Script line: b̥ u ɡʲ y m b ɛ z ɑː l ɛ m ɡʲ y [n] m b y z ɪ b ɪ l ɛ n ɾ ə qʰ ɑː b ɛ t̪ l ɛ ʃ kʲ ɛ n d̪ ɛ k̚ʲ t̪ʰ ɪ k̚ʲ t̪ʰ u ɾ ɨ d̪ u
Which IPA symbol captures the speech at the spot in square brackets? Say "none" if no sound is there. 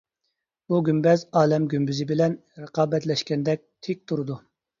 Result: none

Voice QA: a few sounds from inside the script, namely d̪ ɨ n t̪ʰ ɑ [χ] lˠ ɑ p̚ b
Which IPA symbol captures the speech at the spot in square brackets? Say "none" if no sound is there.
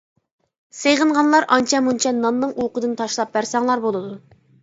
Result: ʃ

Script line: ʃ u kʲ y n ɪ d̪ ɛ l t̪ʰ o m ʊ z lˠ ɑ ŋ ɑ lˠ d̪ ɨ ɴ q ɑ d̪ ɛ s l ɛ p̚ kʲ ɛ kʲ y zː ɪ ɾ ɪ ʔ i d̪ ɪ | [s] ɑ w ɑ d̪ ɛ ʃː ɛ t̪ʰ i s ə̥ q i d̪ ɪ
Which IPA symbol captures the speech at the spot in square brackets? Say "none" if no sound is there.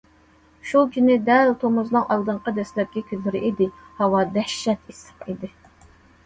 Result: h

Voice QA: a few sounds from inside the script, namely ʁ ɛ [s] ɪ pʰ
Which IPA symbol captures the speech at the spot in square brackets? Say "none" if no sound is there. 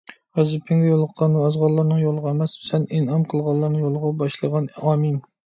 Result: z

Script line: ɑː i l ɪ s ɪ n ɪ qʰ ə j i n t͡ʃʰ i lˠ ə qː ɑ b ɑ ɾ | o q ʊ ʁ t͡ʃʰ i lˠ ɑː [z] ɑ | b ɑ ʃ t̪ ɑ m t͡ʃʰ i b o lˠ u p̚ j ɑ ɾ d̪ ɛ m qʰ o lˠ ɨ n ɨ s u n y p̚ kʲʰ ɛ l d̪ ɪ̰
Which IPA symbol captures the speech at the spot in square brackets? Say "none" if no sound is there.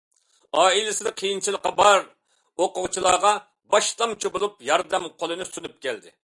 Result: ʁ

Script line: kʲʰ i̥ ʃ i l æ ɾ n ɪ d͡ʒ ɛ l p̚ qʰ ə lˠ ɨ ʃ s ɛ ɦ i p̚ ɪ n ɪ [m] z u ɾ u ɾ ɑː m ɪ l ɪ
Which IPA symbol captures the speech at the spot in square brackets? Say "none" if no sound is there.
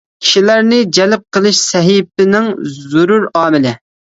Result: ŋ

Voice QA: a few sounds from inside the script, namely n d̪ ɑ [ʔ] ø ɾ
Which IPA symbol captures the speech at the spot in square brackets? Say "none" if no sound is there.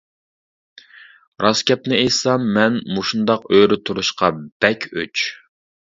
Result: q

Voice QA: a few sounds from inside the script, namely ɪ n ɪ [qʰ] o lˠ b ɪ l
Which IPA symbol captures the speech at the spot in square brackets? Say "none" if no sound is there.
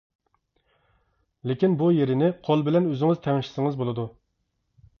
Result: qʰ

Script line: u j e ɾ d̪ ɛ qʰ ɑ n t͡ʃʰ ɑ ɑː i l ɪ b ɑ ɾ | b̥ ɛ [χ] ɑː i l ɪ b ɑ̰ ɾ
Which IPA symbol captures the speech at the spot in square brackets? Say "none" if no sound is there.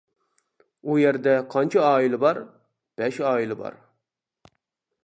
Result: ʃ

